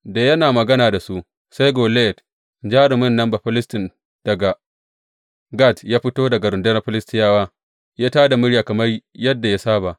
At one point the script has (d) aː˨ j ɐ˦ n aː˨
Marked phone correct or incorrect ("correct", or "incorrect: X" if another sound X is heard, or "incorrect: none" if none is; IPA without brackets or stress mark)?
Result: correct